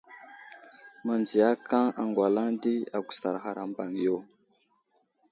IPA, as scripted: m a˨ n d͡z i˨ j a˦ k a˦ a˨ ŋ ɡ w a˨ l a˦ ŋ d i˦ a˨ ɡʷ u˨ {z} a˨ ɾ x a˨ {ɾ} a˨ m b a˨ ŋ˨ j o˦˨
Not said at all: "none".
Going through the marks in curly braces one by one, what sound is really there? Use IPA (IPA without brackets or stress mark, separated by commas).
s, ɾ